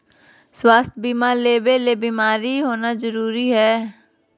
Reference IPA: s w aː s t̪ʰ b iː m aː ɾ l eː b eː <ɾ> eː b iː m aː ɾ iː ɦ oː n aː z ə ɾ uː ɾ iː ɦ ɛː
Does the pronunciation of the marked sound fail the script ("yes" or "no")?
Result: yes